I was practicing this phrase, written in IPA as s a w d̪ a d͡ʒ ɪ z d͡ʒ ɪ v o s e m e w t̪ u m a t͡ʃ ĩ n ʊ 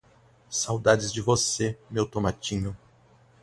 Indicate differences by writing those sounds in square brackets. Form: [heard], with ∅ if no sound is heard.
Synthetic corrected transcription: s a w d̪ a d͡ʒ ɪ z d͡ʒ ɪ v o s e m e w t̪ [o] m a t͡ʃ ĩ [ɲ] ʊ